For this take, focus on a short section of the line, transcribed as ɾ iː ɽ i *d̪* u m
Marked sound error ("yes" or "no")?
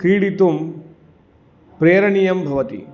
yes